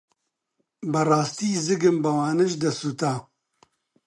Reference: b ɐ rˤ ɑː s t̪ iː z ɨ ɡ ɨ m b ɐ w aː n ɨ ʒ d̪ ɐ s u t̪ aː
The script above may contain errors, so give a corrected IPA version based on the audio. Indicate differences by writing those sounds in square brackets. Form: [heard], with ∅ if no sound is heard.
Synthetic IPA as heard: b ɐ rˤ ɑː s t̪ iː z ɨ ɡ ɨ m b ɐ w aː n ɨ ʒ d̪ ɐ s u t̪ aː